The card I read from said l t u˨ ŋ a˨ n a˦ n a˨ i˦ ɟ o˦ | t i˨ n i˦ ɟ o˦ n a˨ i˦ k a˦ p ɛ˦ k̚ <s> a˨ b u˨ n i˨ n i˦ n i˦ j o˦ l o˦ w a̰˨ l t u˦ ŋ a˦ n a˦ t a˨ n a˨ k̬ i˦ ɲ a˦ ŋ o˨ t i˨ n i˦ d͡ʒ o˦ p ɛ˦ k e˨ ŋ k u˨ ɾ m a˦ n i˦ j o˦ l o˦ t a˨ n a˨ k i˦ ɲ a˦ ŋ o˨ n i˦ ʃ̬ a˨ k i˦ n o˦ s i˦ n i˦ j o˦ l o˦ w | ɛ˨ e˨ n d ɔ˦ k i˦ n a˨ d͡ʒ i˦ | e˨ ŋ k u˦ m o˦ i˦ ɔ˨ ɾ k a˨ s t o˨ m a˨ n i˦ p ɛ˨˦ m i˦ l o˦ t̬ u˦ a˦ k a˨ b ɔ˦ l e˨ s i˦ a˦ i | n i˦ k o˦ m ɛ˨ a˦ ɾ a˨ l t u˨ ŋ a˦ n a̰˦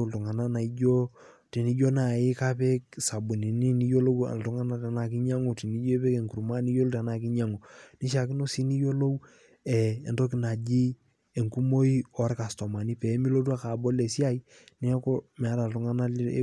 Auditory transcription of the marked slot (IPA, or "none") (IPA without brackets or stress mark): s